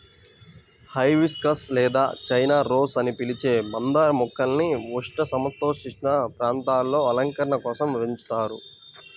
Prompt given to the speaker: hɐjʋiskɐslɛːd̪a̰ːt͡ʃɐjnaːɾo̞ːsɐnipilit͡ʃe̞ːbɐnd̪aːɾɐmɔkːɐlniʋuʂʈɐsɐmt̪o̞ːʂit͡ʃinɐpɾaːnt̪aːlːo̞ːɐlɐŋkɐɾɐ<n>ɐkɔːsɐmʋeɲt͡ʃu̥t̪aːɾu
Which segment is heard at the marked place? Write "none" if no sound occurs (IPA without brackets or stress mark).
ɳ